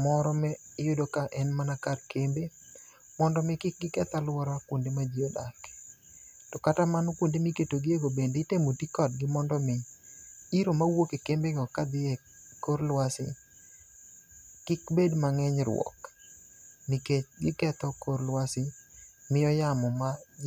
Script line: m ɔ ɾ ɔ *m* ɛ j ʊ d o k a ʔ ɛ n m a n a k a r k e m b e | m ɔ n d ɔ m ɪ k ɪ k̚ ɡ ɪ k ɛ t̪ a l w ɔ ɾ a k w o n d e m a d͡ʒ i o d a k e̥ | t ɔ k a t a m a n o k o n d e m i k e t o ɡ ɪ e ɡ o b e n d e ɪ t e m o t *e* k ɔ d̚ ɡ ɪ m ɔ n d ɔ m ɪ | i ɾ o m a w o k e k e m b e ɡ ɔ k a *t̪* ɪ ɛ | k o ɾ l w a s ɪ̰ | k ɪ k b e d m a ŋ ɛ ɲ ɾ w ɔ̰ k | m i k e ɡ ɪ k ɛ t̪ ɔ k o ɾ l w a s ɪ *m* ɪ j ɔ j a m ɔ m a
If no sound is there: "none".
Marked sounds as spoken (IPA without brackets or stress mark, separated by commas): m, i, d̪, m